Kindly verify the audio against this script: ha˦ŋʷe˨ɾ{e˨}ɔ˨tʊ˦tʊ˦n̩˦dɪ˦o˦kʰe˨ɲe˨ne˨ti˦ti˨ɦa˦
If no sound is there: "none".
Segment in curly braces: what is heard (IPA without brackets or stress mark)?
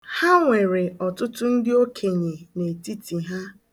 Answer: e˨